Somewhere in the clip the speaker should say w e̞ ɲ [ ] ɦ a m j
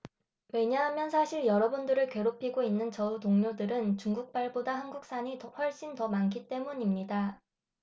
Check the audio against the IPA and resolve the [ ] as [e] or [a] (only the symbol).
a